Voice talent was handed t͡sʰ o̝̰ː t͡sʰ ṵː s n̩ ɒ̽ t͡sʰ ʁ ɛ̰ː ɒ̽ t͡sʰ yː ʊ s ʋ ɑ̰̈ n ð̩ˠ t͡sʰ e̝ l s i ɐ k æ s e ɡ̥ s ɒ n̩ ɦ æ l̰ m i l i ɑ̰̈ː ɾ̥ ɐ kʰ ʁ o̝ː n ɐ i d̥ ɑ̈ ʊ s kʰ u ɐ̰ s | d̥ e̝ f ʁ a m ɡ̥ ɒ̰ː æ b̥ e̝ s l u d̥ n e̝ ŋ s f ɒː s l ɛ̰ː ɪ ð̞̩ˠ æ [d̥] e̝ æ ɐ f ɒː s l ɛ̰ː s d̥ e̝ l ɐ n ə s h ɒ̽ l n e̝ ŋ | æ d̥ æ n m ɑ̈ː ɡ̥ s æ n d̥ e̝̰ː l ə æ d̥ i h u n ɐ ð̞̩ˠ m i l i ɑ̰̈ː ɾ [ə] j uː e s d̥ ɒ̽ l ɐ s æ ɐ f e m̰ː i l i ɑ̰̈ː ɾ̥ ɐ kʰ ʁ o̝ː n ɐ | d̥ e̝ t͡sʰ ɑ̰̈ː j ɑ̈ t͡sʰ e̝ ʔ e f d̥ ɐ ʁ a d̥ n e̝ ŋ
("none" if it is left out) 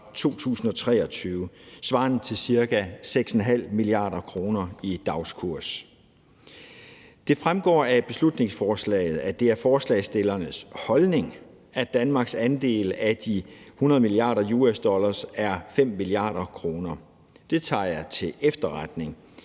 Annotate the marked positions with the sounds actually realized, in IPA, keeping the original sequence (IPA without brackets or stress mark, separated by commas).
d̥, ɐ